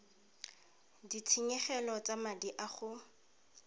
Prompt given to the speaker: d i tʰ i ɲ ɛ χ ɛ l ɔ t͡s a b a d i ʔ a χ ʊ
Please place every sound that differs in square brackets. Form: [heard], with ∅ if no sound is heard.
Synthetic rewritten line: d i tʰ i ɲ ɛ χ ɛ l ɔ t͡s a [m] a d i ʔ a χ ʊ